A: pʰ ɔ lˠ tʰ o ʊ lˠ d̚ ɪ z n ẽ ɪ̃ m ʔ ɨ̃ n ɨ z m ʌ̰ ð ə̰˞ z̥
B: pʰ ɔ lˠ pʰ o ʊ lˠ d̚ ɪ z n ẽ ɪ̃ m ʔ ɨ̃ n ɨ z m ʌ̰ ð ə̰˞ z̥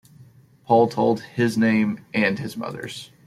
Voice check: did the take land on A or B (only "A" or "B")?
A